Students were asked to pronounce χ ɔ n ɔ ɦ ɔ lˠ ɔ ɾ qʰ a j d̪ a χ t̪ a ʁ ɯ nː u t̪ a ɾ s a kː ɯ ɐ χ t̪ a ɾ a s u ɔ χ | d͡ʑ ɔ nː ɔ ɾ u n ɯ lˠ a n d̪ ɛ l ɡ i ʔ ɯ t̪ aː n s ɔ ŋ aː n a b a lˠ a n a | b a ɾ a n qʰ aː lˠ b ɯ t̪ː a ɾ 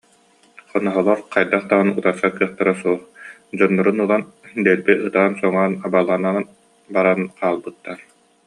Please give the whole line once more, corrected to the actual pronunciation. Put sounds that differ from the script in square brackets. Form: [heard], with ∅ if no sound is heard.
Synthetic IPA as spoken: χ ɔ n ɔ ɦ ɔ lˠ ɔ ɾ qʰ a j d̪ a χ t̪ a ʁ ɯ [n] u t̪ a ɾ s a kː ɯ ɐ χ t̪ a ɾ a s u ɔ χ | d͡ʑ ɔ nː ɔ ɾ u n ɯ lˠ a n d̪ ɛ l [b] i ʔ ɯ t̪ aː n s ɔ ŋ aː n a b a lˠ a n a | b a ɾ a n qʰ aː lˠ b ɯ t̪ː a ɾ